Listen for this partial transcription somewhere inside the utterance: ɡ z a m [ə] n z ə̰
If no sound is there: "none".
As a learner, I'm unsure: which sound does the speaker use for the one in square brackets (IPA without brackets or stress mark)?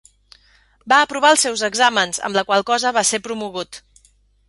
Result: ə